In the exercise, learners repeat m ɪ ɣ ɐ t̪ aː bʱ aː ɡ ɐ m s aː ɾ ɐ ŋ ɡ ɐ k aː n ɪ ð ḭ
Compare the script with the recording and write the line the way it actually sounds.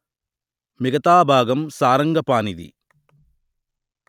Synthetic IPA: m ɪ ɣ ɐ t̪ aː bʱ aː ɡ ɐ m s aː ɾ ɐ ŋ ɡ ɐ p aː n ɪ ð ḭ